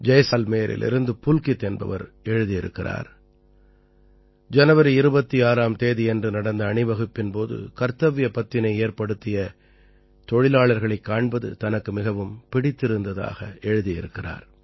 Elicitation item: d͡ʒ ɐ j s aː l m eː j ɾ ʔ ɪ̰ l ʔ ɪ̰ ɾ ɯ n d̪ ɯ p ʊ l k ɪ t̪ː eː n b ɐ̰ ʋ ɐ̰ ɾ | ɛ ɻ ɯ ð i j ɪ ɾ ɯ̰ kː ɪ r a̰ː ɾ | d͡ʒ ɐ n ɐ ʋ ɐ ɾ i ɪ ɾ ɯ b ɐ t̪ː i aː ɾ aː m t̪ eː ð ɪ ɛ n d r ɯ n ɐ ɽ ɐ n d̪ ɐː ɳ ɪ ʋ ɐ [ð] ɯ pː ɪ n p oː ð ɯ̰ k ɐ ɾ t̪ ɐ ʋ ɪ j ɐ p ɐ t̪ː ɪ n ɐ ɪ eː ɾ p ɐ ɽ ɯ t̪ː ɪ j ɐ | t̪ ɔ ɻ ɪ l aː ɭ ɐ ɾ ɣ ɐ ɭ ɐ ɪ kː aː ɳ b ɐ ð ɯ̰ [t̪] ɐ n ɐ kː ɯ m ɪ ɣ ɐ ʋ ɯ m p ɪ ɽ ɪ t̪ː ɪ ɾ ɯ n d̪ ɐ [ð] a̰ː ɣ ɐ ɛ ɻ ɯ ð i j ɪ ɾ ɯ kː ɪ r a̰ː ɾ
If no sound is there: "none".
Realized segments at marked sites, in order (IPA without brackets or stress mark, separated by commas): ɣ, t̪, ð